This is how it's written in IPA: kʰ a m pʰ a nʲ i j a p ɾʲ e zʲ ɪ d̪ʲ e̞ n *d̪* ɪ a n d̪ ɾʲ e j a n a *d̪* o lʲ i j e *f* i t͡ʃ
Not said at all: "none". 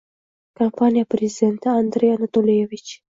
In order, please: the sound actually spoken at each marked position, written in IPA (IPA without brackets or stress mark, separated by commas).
t̪, t̪, v